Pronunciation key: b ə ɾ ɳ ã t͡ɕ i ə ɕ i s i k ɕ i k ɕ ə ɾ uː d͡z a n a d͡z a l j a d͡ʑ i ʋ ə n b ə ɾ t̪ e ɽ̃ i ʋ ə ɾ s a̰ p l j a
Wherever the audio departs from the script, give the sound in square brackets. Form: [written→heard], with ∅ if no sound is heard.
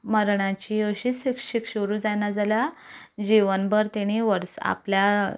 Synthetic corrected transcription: [b→m] ə ɾ ɳ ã t͡ɕ i ə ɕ i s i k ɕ i k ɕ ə ɾ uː d͡z a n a d͡z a l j a d͡ʑ i ʋ ə n b ə ɾ t̪ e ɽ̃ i ʋ ə ɾ s a̰ p l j a